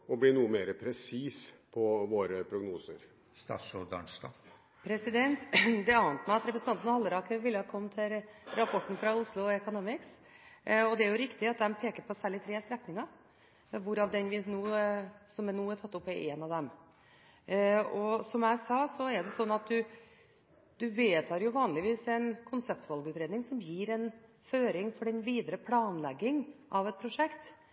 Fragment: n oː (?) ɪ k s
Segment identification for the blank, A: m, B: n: A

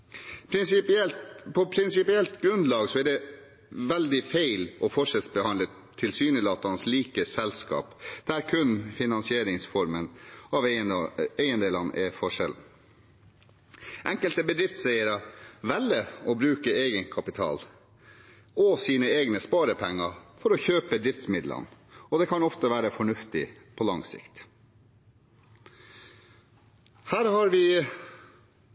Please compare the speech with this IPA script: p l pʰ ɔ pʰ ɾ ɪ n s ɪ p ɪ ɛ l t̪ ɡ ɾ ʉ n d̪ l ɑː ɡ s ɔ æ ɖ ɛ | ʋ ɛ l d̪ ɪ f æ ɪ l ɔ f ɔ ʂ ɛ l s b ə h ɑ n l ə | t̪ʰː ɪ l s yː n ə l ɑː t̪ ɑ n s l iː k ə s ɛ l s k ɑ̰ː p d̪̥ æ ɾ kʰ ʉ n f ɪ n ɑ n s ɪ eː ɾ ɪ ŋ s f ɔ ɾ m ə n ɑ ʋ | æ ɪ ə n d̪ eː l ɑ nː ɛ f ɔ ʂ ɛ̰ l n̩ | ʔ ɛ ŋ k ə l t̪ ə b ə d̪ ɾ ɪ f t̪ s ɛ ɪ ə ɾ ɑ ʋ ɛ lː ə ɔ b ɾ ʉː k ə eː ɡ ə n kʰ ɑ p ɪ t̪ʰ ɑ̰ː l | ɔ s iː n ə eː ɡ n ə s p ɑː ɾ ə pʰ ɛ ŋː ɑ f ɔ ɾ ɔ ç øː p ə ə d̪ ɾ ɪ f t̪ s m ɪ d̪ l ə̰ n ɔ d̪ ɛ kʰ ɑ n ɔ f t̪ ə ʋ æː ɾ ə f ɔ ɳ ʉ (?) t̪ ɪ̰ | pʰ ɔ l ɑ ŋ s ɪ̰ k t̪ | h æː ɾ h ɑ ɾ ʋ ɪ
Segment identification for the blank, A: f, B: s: A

